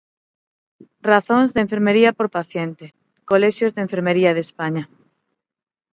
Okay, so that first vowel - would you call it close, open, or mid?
open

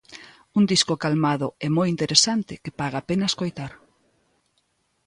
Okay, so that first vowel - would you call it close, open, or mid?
close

